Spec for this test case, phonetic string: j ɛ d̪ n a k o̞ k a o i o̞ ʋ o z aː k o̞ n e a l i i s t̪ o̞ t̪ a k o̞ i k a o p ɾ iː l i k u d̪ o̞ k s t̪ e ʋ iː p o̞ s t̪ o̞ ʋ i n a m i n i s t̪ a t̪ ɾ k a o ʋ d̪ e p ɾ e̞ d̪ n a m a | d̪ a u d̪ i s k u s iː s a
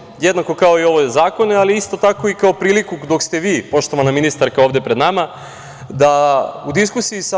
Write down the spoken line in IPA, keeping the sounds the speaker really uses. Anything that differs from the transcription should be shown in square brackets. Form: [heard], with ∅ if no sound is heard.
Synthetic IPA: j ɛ d̪ n a k o̞ k a o i o̞ ʋ o z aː k o̞ n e a l i i s t̪ o̞ t̪ a k o̞ i k a o p ɾ iː l i k u d̪ o̞ k s t̪ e ʋ iː p o̞ [ʃ] t̪ o̞ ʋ [a] n a m i n i s t̪ a [∅] ɾ k a o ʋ d̪ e p ɾ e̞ d̪ n a m a | d̪ a u d̪ i s k u s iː s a